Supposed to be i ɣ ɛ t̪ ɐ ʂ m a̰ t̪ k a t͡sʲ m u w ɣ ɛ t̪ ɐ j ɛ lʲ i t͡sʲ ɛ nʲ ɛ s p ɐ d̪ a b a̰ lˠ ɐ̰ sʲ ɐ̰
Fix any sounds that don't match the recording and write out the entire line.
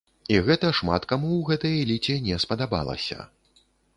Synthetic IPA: i ɣ ɛ t̪ ɐ ʂ m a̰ t̪ k a m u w ɣ ɛ t̪ ɐ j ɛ lʲ i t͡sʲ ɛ nʲ ɛ s p ɐ d̪ a b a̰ lˠ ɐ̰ sʲ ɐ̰